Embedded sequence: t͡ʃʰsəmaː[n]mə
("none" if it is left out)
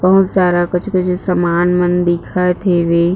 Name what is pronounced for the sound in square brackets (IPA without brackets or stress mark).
n